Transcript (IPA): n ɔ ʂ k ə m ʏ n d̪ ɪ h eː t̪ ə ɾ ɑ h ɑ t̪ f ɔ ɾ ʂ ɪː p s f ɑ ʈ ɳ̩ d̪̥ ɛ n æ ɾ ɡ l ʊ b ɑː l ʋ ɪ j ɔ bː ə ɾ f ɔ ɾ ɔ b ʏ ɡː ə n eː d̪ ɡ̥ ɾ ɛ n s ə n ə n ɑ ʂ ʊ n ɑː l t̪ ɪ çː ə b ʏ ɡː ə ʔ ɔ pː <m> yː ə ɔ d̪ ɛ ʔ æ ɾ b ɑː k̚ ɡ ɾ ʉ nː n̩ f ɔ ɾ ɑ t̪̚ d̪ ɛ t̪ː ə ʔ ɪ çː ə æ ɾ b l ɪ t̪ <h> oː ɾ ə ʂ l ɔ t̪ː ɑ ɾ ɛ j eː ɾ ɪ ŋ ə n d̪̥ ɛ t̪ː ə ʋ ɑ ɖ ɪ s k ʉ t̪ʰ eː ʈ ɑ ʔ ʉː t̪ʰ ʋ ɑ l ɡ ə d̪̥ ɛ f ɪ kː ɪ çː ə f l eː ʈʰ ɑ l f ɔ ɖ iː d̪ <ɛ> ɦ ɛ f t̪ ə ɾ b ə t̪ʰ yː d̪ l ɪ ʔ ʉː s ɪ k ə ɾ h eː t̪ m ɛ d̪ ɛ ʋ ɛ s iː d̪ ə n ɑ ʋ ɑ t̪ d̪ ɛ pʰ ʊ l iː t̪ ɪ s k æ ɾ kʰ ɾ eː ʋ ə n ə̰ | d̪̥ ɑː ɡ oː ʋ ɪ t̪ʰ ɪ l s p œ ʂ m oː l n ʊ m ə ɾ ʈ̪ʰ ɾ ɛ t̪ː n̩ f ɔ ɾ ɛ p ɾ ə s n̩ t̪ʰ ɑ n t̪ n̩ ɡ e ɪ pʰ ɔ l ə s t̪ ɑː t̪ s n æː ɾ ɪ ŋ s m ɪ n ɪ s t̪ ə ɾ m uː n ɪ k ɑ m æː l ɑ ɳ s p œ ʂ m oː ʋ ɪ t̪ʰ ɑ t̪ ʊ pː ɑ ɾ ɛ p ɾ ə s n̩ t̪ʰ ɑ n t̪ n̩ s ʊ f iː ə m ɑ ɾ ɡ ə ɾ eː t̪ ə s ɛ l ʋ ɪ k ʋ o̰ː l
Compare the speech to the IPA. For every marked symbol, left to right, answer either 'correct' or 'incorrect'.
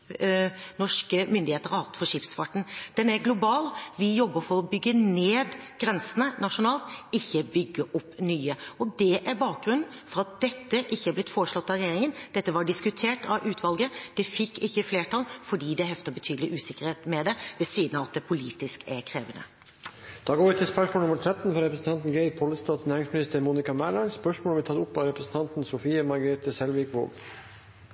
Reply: incorrect: n, incorrect: f, correct

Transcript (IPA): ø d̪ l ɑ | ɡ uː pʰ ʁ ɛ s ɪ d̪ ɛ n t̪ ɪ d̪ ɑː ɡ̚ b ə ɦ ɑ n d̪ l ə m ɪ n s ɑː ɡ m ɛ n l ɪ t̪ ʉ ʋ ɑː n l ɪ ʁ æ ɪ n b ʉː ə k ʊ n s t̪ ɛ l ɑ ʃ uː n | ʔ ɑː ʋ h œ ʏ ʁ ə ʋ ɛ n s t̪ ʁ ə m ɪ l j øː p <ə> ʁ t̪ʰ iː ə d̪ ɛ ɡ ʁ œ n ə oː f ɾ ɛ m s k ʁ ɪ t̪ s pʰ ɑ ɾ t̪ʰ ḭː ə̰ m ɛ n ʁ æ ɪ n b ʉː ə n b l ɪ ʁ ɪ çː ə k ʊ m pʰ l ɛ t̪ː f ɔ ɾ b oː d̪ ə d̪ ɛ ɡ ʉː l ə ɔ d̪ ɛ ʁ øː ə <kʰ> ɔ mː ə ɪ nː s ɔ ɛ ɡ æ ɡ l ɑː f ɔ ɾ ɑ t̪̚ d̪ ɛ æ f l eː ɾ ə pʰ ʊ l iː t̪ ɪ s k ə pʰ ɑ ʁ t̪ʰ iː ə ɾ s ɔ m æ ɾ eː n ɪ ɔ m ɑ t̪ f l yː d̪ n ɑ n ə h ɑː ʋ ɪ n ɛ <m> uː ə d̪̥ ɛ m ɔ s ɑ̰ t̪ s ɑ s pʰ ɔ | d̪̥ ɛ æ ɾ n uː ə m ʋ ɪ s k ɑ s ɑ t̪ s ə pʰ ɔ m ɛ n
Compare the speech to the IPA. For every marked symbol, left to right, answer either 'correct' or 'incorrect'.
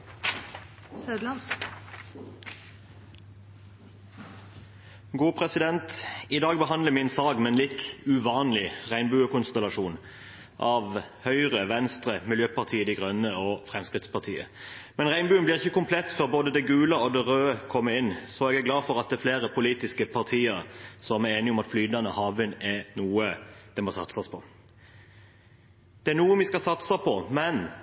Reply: incorrect: ɑ, correct, incorrect: n

